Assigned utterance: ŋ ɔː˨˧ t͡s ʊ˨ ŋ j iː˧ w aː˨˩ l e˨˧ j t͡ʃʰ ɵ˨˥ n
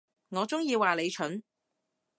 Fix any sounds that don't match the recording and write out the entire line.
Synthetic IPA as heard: ŋ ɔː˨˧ t͡s ʊ˥ ŋ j iː˧ w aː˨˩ l e˨˧ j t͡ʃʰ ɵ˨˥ n